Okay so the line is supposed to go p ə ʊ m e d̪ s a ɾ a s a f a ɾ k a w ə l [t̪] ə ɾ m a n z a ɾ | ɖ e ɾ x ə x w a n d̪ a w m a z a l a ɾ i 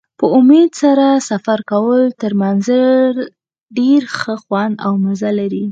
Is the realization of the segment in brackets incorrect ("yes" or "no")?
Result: no